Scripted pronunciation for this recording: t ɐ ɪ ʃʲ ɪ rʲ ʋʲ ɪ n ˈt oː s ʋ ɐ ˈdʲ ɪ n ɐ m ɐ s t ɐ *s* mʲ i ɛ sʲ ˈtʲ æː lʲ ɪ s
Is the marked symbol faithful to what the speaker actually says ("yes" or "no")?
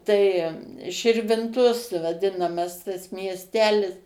yes